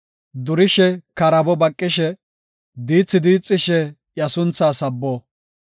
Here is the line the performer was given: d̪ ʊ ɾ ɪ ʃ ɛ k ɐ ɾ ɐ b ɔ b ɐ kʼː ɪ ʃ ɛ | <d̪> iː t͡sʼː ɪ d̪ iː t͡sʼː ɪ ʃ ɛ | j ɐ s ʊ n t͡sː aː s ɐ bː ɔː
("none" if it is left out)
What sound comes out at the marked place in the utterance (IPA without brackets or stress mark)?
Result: d̪